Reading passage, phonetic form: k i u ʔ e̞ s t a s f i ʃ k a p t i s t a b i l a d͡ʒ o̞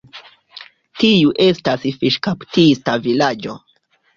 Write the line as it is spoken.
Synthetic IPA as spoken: t i u ʔ e̞ s t a s f i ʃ k a p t i s t a v i l a d͡ʒ o̞